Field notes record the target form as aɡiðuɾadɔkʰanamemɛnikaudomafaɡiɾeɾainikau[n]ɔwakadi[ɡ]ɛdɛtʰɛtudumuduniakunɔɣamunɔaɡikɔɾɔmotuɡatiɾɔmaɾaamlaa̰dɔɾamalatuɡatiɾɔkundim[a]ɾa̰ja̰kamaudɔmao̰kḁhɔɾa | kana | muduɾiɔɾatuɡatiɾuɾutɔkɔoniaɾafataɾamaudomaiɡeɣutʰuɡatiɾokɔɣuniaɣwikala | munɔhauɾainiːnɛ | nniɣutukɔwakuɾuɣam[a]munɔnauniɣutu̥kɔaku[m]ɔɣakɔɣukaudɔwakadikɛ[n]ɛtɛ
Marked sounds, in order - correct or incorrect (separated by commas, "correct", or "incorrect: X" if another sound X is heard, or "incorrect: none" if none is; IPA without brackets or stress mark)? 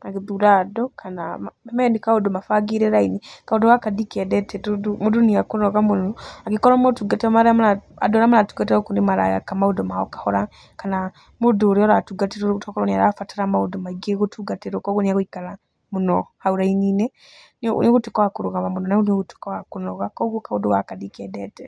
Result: incorrect: d, incorrect: k, correct, correct, incorrect: n, incorrect: d